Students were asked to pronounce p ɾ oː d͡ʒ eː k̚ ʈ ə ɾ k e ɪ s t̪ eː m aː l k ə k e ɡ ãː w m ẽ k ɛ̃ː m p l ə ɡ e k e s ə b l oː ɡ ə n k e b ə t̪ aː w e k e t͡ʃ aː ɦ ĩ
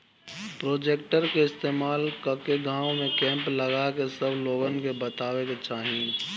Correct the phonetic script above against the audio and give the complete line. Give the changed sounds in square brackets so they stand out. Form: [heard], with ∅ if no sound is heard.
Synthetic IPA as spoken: p ɾ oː d͡ʒ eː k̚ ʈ ə ɾ k e ɪ s t̪ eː m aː l k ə k e ɡ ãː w m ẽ k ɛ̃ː m p l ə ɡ [a] k e s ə b l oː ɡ ə n k e b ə t̪ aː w e k e t͡ʃ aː ɦ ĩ